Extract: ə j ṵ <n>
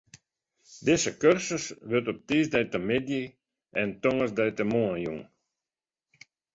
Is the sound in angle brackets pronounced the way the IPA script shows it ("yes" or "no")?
no